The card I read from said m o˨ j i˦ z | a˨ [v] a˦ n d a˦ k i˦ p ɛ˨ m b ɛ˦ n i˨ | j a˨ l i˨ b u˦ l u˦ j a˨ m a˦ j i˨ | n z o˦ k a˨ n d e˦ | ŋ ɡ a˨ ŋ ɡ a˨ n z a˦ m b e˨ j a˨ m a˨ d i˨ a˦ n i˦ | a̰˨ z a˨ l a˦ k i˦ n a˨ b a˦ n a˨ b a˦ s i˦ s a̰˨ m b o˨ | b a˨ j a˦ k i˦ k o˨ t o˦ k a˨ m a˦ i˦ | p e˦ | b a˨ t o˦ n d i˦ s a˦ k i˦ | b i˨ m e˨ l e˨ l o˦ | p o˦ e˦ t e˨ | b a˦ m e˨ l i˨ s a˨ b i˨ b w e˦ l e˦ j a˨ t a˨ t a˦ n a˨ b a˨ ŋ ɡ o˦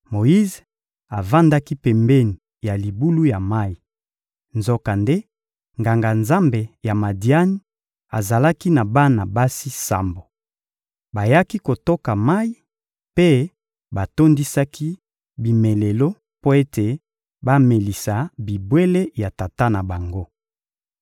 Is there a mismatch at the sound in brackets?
no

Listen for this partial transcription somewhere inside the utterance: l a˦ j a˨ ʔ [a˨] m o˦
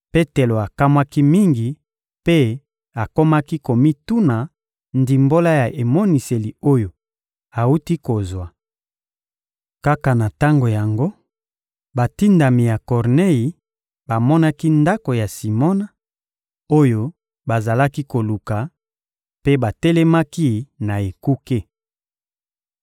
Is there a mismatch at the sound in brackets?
yes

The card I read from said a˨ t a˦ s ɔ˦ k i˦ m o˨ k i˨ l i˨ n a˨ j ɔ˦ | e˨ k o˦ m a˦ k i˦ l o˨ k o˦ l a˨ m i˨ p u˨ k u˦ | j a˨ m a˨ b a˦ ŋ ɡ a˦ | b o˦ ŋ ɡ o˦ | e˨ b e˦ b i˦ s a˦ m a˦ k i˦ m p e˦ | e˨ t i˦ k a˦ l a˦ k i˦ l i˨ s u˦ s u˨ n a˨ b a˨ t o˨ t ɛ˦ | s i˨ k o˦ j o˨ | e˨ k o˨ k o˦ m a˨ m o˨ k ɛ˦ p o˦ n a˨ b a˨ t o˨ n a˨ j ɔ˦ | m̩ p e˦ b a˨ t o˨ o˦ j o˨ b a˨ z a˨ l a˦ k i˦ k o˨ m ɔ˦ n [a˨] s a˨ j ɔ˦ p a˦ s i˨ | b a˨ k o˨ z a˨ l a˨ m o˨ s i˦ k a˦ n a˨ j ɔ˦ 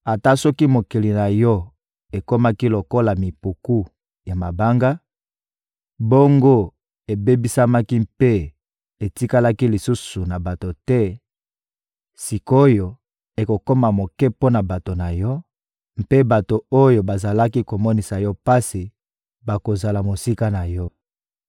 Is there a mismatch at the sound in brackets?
yes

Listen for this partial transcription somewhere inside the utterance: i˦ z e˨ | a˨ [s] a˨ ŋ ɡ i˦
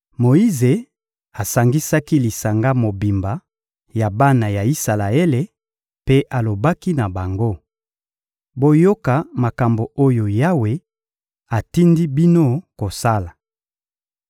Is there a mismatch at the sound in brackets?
no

